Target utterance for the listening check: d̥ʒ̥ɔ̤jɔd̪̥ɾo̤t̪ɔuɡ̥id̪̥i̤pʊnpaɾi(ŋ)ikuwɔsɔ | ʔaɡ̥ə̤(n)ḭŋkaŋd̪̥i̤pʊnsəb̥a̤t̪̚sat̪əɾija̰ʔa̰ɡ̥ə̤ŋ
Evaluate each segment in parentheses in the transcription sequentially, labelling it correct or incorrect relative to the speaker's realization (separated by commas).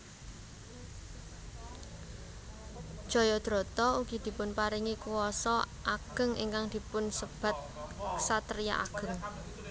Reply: correct, incorrect